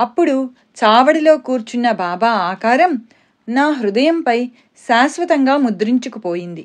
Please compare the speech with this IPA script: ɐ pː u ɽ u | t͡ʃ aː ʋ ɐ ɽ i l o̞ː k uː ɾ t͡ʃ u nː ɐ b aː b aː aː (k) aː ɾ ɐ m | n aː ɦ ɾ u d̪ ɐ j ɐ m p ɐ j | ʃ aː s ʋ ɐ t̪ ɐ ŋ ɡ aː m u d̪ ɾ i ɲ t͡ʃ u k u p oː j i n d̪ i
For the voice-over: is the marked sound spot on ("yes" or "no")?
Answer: yes